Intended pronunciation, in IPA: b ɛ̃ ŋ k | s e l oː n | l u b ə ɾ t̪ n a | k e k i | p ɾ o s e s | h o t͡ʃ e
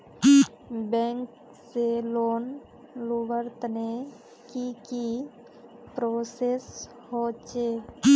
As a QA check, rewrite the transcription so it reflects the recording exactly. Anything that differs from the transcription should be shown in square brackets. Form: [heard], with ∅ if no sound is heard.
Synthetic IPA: b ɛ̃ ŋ k | s e l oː n | l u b ə ɾ t̪ n [e] | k [i] k i | p ɾ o s e s | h o t͡ʃ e

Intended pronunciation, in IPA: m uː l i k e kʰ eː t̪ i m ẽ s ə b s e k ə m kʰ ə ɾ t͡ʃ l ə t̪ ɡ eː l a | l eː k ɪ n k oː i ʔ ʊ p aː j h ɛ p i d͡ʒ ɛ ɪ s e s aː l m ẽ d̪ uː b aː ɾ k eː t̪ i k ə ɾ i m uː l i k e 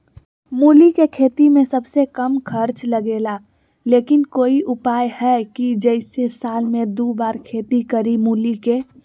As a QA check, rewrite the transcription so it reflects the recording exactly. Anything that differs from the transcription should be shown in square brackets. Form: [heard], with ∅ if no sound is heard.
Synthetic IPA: m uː l i k e kʰ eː t̪ i m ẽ s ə b s e k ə m kʰ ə ɾ t͡ʃ l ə [∅] ɡ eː l a | l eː k ɪ n k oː i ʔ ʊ p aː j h ɛ [k] i d͡ʒ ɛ ɪ s e s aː l m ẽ d̪ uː b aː ɾ [kʰ] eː t̪ i k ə ɾ i m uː l i k e

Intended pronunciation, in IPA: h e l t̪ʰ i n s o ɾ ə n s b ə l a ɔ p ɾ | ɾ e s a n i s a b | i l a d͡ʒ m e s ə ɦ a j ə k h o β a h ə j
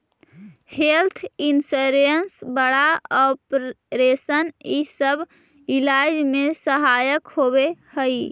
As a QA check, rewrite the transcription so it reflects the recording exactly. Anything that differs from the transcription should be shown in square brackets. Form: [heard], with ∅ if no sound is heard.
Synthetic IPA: h e l t̪ʰ i n s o ɾ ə n s b ə [ɽ] a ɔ p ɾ | ɾ e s [ə] n i s [ə] b | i l a d͡ʒ m e s ə ɦ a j ə k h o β [e] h ə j

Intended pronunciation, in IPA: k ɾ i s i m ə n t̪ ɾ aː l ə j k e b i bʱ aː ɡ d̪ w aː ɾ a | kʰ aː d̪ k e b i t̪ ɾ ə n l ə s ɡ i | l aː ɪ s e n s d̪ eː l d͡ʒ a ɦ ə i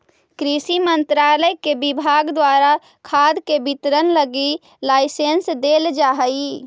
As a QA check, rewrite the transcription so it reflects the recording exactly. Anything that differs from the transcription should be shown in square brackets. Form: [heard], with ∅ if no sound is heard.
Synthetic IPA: k ɾ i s i m ə n t̪ ɾ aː l ə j k e b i bʱ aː ɡ d̪ w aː ɾ a | kʰ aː d̪ k e b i t̪ ɾ ə n l ə [∅] ɡ i | l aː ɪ s e n s d̪ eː l d͡ʒ a ɦ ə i

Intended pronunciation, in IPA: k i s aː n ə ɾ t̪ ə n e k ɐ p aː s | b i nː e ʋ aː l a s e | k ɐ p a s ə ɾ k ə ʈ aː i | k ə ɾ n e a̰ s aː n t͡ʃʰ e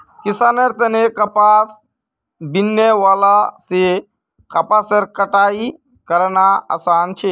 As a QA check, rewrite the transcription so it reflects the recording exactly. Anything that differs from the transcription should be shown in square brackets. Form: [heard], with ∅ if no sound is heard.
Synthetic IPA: k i s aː n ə ɾ t̪ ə n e k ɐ p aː s | b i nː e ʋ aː l a s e | k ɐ p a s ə ɾ k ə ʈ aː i | k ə ɾ n [a] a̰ s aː n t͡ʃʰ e

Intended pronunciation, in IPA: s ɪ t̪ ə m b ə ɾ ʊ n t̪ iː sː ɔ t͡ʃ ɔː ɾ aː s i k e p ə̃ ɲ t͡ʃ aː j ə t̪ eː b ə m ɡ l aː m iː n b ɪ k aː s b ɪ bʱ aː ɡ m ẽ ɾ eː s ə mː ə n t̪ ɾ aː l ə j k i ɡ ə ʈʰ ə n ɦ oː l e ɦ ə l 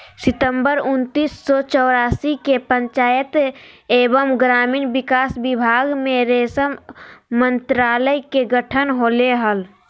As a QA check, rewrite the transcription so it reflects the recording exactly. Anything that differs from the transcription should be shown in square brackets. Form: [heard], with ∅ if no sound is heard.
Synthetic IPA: s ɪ t̪ ə m b ə ɾ ʊ n t̪ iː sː ɔ t͡ʃ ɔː ɾ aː s i k e p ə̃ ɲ t͡ʃ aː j ə t̪ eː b ə m ɡ [ɾ] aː m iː n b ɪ k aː s b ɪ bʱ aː ɡ m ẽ ɾ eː s ə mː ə n t̪ ɾ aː l ə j k [e] ɡ ə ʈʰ ə n ɦ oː l e ɦ ə l

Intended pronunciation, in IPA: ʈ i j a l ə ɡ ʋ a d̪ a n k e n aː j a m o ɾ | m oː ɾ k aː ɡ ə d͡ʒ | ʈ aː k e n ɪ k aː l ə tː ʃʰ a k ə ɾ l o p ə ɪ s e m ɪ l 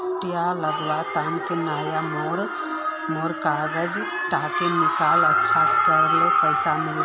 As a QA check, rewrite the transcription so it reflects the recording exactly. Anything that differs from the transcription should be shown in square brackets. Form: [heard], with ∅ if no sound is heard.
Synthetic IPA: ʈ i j a l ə ɡ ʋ a [t̪] a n k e n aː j a m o ɾ | m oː ɾ k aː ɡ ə d͡ʒ | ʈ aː k e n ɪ k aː l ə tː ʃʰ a k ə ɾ l o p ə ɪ s [a] m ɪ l

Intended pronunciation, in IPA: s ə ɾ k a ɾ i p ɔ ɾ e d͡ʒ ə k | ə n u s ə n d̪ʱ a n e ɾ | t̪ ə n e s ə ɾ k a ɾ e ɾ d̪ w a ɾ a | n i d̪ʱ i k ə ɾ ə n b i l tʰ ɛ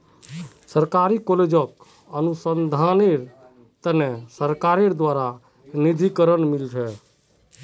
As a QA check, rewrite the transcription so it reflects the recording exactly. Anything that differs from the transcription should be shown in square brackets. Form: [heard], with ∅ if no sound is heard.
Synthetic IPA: s ə ɾ k a ɾ i [k] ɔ [l] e d͡ʒ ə k | ə n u s ə n d̪ʱ a n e ɾ | t̪ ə n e s ə ɾ k a ɾ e ɾ d̪ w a ɾ a | n i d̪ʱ i k ə ɾ ə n [m] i l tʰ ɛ

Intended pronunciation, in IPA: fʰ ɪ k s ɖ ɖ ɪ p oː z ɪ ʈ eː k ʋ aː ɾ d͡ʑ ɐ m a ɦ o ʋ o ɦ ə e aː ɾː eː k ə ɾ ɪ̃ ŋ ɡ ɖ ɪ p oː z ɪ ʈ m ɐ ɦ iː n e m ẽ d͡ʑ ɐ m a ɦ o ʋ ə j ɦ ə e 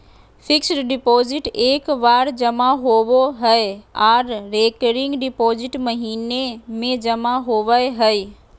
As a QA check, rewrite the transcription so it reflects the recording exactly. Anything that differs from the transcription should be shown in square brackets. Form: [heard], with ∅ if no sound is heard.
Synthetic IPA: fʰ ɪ k s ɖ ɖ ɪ p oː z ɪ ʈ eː k ʋ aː ɾ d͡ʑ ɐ m a ɦ o ʋ o ɦ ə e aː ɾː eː k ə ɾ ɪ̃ ŋ ɡ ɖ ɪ p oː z ɪ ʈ m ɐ ɦ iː n e m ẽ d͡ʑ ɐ m a ɦ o ʋ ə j ɦ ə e

